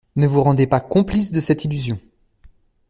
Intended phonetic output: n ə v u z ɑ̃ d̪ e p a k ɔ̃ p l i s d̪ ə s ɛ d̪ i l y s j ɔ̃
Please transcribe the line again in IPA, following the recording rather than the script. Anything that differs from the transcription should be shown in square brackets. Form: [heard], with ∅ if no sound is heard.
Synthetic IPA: n ə v u [ʁ] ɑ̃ d̪ e p a k ɔ̃ p l i s d̪ ə s ɛ [t̪] i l y [z] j ɔ̃